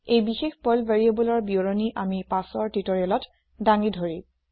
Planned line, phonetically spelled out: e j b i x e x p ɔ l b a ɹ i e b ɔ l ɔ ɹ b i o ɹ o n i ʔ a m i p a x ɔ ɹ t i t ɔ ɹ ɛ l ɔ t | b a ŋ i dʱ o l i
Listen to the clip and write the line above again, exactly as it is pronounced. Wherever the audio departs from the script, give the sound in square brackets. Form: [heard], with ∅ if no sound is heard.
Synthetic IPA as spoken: e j b i x e x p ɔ l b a ɹ i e b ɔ l ɔ ɹ b i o ɹ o n i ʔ a m i p a [s] ɔ ɹ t i t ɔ ɹ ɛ l ɔ t | [d] a ŋ i dʱ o [ɹ] i